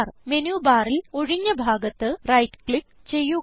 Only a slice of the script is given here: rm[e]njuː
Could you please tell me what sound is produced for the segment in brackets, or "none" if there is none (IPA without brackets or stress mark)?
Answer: e